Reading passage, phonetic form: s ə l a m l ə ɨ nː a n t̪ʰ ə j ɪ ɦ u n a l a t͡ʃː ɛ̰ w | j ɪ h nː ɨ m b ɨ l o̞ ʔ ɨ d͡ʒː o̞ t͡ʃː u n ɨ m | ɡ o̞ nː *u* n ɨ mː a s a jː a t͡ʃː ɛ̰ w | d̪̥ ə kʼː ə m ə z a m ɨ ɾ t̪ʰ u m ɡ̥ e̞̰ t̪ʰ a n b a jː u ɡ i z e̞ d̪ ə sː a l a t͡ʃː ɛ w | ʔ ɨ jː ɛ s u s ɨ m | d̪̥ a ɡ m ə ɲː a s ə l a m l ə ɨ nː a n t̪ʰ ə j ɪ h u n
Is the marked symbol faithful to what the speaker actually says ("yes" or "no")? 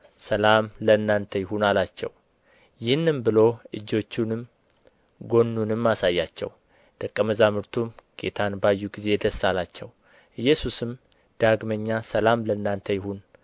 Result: yes